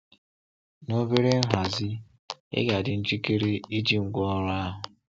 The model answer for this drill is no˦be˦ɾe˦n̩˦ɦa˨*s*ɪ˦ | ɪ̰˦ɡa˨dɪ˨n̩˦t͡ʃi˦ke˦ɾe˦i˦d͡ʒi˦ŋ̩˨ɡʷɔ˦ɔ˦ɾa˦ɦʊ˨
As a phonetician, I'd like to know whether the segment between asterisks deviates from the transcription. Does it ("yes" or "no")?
yes